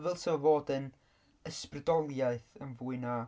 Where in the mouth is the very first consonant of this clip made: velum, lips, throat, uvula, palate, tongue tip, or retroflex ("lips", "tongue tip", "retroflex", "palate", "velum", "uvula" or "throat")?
lips